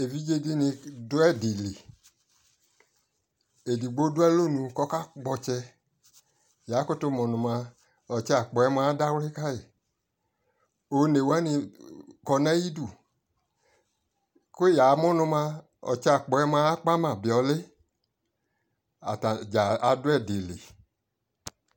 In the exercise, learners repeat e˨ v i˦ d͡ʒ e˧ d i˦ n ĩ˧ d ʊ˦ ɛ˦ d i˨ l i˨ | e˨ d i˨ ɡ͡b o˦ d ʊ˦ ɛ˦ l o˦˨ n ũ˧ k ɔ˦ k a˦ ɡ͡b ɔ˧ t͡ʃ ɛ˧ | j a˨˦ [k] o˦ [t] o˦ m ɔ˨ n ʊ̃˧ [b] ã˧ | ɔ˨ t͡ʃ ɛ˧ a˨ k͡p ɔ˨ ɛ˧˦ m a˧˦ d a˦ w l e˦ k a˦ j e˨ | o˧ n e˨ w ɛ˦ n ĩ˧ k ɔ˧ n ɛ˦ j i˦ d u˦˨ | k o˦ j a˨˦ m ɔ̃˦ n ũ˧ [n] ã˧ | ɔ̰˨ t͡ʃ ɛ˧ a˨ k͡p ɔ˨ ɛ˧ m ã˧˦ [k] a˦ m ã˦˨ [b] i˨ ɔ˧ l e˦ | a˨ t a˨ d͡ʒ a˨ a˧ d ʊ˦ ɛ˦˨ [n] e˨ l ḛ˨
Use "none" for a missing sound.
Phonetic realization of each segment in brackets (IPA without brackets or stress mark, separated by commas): k, t, m, m, k͡p, b, d